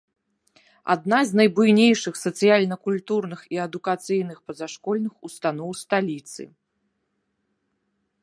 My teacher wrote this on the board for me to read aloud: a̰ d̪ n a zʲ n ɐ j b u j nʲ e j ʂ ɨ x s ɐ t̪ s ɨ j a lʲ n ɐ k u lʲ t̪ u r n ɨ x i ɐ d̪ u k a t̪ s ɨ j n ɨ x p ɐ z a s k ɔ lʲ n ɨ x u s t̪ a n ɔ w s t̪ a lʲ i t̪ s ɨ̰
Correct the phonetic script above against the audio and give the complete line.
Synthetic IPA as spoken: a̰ d̪ n a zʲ n ɐ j b u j nʲ e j ʂ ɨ x s ɐ t̪ s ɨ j a lʲ n ɐ k u lʲ t̪ u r n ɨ x i ɐ d̪ u k a t̪ s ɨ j n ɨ x p ɐ z a ʂ k ɔ lʲ n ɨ x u s t̪ a n ɔ w s t̪ a lʲ i t̪ s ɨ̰